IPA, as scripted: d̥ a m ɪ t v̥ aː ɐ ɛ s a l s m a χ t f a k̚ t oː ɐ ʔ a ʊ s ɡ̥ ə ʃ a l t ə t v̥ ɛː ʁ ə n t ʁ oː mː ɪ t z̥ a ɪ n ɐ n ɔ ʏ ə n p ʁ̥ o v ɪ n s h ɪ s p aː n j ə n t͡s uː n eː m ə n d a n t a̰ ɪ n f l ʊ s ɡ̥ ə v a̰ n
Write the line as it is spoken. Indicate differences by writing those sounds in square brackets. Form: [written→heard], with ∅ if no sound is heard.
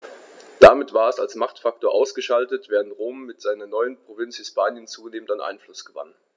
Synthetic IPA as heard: d̥ a m ɪ t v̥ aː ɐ ɛ s a l s m a χ t f a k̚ t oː ɐ ʔ a ʊ s ɡ̥ ə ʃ a l t ə t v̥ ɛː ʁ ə n t ʁ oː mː ɪ t z̥ a ɪ n ɐ n ɔ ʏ ə n p ʁ̥ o v ɪ n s h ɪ s p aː n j ə n t͡s uː n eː m ə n d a n [t→ʔ] a̰ ɪ n f l ʊ s ɡ̥ ə v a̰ n